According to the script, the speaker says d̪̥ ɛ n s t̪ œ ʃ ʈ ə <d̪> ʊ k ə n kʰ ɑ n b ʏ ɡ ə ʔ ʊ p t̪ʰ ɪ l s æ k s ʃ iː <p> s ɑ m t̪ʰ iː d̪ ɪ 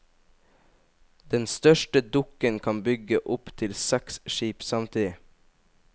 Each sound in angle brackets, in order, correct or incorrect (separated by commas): correct, correct